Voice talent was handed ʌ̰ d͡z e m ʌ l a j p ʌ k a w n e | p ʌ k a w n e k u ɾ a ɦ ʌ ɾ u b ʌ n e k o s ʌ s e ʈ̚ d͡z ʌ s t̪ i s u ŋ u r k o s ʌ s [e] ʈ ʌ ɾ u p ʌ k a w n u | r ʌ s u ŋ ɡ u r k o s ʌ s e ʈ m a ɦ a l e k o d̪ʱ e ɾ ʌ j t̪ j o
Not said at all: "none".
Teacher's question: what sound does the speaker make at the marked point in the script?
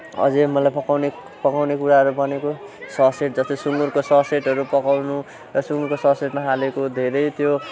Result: e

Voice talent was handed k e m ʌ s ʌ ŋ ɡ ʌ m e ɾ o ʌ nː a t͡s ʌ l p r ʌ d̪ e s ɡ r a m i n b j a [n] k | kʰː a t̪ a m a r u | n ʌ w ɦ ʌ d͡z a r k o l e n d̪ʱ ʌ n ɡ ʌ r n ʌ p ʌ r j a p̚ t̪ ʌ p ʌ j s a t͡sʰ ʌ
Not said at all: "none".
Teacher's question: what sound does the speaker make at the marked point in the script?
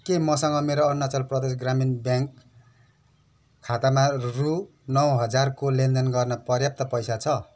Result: ŋ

